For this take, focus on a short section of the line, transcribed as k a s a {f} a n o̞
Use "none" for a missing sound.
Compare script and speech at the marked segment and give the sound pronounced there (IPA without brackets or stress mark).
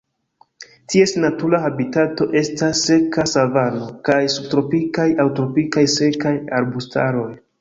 v